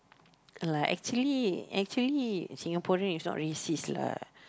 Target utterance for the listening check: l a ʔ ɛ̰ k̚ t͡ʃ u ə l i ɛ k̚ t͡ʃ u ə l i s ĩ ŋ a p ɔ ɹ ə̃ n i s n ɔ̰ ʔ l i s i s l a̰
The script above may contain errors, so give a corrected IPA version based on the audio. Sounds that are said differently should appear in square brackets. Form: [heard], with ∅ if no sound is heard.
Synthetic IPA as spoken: l a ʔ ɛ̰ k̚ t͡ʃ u ə l i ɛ k̚ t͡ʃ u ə l i s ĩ ŋ a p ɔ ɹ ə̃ n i s n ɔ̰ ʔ [ɹ] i s i s l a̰